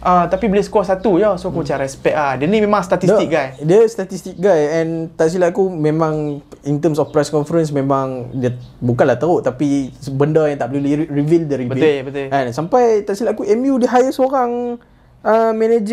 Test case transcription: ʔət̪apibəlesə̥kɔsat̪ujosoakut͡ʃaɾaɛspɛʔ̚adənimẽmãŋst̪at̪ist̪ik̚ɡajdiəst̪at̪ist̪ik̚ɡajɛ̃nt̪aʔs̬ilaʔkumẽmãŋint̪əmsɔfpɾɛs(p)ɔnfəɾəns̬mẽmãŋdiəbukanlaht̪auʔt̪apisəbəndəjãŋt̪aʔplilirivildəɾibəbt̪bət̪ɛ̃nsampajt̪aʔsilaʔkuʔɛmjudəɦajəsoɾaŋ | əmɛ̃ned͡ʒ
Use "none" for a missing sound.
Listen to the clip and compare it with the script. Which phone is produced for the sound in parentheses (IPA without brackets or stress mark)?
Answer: k